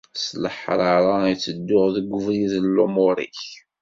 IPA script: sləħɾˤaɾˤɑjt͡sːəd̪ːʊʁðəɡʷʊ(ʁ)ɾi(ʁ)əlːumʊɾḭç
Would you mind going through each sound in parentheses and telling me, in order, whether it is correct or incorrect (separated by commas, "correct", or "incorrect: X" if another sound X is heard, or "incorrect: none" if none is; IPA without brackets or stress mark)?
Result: incorrect: v, incorrect: ð